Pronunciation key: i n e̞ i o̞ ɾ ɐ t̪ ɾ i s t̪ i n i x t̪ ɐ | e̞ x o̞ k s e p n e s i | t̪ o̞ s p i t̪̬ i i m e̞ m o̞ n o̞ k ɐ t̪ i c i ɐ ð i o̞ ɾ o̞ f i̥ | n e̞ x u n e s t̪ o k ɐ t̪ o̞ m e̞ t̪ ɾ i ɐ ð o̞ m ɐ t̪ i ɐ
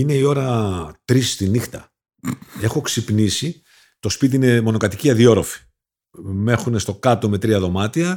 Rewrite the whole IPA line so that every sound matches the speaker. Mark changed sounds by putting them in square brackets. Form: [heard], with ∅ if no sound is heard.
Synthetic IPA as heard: i n e̞ i o̞ ɾ ɐ t̪ ɾ i s t̪ i n i x t̪ ɐ | e̞ x o̞ k s [i] p n [i] s i | t̪ o̞ s p i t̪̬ i i [n] e̞ m o̞ n o̞ k ɐ t̪ i c i ɐ ð i o̞ ɾ o̞ f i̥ | [m] e̞ x u n e s t̪ o k ɐ t̪ o̞ m e̞ t̪ ɾ i ɐ ð o̞ m ɐ t̪ i ɐ